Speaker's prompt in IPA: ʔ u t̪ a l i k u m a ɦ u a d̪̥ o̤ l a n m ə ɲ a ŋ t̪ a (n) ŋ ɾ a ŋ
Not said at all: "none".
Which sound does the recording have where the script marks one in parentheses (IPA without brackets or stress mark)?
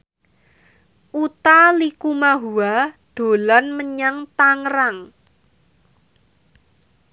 none